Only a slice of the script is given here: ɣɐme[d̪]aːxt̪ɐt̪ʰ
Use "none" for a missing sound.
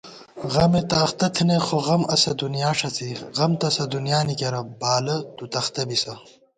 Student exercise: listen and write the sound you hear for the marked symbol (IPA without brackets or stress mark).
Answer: t̪